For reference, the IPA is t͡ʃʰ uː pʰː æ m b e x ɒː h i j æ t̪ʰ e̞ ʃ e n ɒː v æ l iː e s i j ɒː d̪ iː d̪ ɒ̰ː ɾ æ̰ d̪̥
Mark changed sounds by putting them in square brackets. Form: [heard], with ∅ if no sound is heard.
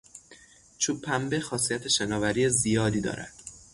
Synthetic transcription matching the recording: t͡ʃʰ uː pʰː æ m b e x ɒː [s] i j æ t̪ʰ e̞ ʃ e n ɒː v æ [ɾ] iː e [z] i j ɒː d̪ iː d̪ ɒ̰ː ɾ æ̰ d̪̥